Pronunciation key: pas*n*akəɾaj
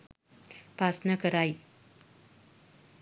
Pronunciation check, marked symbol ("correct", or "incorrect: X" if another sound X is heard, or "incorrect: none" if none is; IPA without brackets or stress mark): correct